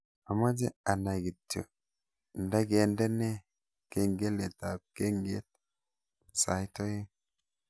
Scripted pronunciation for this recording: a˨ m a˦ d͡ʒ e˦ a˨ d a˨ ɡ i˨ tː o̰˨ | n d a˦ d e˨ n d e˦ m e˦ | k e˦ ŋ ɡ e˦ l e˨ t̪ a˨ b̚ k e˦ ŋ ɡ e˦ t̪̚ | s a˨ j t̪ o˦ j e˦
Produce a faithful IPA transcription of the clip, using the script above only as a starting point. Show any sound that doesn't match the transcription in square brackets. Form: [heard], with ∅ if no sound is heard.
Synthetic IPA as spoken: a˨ m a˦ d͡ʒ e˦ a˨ [n] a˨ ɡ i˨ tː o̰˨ | n d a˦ [ɡ] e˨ n d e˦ [n] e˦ | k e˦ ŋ ɡ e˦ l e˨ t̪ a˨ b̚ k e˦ ŋ ɡ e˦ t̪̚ | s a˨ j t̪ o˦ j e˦